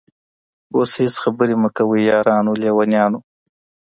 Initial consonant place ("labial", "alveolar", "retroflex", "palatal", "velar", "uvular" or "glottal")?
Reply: alveolar